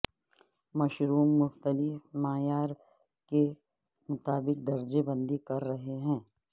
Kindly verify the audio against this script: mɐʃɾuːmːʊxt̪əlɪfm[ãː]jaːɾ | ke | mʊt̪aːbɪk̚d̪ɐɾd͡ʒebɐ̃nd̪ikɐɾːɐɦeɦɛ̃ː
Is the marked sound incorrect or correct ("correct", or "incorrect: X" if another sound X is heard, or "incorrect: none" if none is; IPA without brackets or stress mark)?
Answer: incorrect: aː